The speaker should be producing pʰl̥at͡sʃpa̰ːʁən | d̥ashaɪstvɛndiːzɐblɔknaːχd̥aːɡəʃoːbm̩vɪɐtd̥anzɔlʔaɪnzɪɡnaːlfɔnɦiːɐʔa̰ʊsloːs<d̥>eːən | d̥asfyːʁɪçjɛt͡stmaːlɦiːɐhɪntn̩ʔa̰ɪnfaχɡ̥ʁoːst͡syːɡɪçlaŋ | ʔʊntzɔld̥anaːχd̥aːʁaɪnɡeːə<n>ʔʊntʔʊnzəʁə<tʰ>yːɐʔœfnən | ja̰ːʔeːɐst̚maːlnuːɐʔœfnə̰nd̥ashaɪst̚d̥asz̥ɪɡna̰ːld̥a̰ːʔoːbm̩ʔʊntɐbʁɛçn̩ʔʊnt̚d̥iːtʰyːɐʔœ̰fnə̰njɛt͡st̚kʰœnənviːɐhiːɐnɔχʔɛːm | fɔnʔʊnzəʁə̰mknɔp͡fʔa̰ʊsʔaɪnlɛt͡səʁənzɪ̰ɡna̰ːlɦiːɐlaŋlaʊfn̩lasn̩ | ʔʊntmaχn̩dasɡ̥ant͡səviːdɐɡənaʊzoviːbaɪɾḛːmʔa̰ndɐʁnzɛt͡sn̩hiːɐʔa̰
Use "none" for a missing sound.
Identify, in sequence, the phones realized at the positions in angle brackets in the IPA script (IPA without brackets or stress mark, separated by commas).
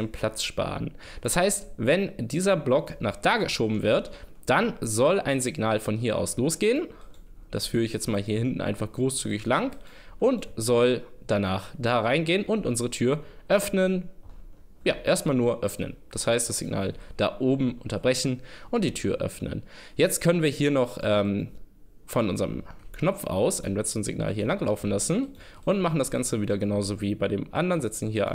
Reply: ɡ̥, n, tʰ